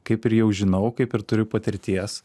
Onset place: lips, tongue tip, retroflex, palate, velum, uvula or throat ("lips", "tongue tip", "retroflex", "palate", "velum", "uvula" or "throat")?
velum